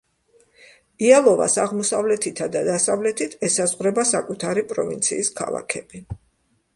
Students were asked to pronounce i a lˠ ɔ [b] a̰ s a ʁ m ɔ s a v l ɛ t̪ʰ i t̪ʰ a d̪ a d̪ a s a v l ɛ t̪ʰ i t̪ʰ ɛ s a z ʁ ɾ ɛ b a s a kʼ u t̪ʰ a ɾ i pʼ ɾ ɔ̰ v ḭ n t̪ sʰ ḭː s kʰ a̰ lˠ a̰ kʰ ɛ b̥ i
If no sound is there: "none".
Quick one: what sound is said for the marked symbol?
v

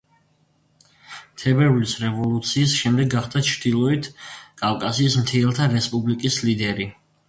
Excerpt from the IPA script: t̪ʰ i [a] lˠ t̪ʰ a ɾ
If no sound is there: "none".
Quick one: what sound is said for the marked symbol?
ɛ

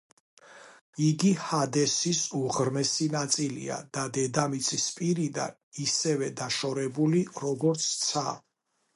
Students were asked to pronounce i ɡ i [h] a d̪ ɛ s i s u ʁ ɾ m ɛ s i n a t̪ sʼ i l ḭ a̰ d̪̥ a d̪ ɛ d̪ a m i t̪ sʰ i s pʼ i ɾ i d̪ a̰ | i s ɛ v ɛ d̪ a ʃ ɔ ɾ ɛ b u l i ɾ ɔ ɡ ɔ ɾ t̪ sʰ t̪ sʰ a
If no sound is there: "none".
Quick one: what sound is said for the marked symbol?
h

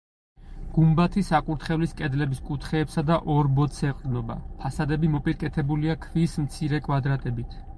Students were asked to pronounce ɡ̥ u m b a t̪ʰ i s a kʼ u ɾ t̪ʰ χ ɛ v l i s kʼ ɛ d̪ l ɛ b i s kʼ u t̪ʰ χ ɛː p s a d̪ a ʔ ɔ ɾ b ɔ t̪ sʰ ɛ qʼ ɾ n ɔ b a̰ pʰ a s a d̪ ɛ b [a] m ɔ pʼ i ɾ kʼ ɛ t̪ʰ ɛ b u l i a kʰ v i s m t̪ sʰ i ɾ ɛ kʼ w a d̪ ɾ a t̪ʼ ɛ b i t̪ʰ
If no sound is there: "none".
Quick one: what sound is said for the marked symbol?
i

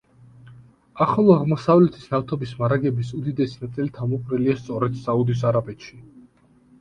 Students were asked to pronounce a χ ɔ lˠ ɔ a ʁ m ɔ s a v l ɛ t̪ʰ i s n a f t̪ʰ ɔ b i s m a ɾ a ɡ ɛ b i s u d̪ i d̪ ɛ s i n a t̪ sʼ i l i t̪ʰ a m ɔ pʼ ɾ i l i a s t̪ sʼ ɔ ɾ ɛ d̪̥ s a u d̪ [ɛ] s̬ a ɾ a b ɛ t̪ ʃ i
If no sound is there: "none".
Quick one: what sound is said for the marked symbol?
i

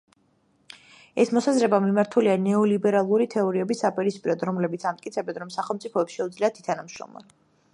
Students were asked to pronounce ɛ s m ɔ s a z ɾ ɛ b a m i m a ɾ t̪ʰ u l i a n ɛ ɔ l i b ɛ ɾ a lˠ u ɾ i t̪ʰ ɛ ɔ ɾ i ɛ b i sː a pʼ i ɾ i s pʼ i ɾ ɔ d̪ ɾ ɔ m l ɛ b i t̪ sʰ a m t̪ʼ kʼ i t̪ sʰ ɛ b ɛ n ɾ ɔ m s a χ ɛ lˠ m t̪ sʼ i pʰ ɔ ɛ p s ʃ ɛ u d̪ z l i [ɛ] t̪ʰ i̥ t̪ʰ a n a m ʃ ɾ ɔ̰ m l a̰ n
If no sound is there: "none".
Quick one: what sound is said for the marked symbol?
a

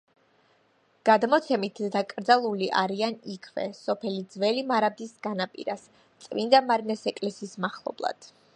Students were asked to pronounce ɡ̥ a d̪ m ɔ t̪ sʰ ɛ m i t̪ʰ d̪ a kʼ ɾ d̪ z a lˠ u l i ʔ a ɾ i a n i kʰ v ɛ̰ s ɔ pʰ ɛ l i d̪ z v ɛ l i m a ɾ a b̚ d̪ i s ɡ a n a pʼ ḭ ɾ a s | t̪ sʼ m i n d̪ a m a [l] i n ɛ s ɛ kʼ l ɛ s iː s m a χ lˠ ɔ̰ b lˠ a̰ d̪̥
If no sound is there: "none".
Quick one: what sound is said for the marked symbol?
ɾ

